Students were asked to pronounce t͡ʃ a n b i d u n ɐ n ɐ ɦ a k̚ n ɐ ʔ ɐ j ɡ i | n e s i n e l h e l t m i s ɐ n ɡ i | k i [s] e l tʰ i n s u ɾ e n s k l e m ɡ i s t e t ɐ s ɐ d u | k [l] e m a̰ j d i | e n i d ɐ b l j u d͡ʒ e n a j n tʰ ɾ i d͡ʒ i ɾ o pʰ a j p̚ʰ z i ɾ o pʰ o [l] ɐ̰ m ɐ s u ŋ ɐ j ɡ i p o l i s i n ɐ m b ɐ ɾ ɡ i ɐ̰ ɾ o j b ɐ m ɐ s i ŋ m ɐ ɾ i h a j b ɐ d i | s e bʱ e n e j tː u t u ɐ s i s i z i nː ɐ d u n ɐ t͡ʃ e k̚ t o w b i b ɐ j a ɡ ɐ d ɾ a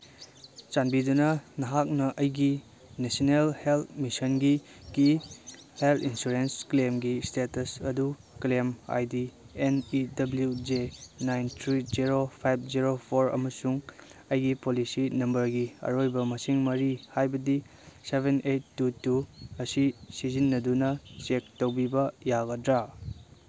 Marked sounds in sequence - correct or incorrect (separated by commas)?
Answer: incorrect, correct, incorrect